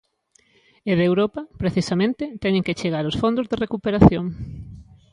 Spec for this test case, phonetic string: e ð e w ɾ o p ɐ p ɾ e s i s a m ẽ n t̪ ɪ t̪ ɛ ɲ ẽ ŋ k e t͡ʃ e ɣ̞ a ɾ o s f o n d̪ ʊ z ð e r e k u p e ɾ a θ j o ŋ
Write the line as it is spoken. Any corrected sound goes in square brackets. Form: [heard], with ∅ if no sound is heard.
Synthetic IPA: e ð e w ɾ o p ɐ p ɾ e [θ] i s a m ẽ n t̪ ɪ t̪ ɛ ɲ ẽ ŋ k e t͡ʃ e ɣ̞ a ɾ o s f o n d̪ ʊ z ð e r e k u p e ɾ a θ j o ŋ